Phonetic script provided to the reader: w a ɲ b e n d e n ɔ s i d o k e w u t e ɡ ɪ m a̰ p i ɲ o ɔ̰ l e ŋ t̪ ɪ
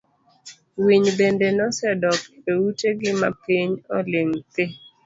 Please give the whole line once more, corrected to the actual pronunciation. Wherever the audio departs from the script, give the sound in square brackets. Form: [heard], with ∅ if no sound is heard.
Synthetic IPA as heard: w [i] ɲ b e n d e n ɔ s [ɛ] d [ɔ] k e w u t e ɡ ɪ m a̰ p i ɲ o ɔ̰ l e ŋ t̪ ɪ